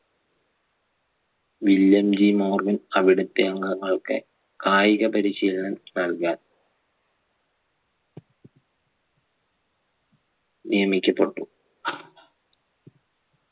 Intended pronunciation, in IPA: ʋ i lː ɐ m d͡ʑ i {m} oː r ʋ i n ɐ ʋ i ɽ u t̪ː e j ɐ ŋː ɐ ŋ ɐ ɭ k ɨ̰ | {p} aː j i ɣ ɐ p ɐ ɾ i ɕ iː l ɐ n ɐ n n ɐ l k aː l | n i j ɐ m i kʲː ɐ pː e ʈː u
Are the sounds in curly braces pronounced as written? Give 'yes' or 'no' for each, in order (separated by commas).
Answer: yes, no